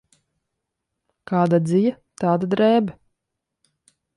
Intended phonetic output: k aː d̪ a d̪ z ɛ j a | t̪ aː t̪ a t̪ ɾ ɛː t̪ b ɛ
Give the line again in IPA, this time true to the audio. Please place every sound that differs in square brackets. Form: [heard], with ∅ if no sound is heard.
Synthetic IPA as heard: k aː d̪ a d̪ z [i] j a | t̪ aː [d̪] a [d̪] ɾ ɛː [∅] b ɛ